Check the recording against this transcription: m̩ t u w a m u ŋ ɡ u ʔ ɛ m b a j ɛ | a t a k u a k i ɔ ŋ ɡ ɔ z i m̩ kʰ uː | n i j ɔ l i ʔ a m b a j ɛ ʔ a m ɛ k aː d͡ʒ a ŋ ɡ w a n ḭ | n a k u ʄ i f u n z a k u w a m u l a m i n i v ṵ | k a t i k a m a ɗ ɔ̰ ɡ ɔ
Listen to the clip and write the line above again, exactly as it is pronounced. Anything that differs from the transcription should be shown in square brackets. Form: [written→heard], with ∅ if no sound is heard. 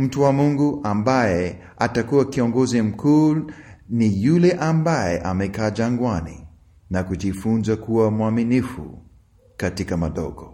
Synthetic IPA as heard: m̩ t u w a m u ŋ ɡ u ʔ [ɛ→a] m b a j ɛ | a t a k u a k i ɔ ŋ ɡ ɔ z i m̩ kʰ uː | n i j [ɔ→u] l [i→ɛ] ʔ a m b a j ɛ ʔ a m ɛ k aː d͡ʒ a ŋ ɡ w a n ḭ | n a k u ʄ i f u n z a k u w a m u [l→∅] a m i n i [v→f] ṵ | k a t i k a m a ɗ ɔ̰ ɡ ɔ